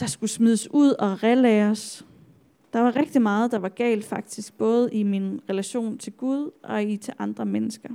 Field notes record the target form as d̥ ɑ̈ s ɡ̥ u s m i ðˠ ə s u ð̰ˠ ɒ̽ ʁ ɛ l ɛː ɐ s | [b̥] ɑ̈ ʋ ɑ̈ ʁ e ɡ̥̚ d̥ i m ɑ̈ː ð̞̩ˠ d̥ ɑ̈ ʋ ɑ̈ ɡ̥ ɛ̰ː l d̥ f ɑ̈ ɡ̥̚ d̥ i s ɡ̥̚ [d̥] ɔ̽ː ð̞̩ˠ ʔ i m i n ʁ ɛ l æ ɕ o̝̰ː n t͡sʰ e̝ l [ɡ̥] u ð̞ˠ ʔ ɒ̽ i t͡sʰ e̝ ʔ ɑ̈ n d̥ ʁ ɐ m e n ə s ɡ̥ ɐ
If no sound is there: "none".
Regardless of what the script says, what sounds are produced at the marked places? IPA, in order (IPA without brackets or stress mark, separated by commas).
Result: d̥, b̥, ɡ̥